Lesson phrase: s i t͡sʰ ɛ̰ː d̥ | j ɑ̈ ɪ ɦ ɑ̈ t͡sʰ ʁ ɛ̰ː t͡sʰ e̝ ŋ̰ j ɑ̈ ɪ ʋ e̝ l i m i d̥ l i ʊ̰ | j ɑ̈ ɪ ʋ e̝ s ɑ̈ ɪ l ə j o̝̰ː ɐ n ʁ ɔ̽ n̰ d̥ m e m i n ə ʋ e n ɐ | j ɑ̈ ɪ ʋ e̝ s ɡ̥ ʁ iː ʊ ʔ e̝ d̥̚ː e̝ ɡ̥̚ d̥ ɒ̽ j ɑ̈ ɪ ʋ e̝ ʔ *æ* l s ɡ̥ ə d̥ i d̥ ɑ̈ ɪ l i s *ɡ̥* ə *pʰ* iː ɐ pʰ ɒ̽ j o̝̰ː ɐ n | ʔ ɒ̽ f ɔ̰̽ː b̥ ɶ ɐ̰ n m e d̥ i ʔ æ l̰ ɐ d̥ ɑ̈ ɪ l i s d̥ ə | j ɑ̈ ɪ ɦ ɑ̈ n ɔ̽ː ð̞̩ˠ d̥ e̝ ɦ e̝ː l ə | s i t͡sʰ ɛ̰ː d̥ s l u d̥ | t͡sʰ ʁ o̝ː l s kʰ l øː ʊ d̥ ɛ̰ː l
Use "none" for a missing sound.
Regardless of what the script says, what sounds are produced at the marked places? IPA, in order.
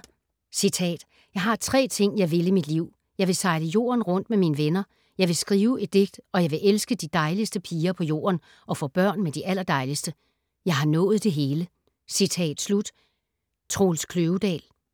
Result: e, d̥, pʰ

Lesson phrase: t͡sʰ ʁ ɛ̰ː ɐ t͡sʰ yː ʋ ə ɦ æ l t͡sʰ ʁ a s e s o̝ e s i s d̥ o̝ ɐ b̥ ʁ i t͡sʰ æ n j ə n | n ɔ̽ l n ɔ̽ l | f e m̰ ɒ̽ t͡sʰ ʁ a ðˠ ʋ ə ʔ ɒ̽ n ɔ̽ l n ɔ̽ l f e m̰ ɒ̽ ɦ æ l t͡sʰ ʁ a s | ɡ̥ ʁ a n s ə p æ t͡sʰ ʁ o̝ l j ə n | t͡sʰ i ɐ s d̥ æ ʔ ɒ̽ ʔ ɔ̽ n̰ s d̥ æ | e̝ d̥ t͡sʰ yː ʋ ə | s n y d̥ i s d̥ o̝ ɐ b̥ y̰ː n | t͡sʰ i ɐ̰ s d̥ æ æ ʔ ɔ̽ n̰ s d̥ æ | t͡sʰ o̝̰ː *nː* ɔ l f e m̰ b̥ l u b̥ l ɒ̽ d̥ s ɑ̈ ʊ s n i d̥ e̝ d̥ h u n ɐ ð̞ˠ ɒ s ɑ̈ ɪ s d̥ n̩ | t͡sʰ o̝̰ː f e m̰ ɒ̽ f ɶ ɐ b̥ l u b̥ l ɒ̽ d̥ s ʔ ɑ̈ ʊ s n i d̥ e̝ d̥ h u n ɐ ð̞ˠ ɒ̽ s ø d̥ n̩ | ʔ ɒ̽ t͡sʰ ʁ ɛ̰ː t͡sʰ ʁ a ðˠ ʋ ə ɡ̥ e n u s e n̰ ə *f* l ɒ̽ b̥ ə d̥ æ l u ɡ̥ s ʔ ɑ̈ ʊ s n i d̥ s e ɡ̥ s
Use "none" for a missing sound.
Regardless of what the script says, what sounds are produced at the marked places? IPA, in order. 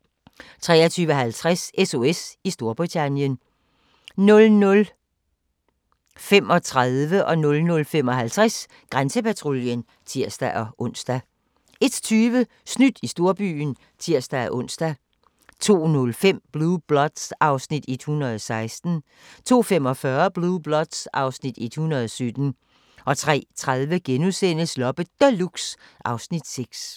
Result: n, s

